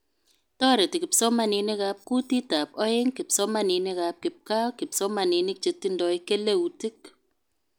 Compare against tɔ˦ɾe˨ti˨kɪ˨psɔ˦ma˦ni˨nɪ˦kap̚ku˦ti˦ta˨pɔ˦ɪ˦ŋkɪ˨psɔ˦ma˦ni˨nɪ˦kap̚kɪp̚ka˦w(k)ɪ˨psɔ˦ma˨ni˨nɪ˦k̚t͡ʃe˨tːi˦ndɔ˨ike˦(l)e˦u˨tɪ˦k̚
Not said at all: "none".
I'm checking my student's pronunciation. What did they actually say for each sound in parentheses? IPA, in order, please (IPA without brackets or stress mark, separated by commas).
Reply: k, l